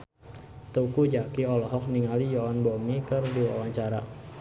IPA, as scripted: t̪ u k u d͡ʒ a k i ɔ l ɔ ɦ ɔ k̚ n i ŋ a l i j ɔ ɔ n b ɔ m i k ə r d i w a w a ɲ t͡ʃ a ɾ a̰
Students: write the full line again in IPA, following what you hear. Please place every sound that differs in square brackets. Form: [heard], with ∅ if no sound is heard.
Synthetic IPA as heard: t̪ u k u d͡ʒ a k i ɔ l ɔ ɦ ɔ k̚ n i ŋ a l i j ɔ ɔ n b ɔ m i k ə r d i w a w a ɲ t͡ʃ a ɾ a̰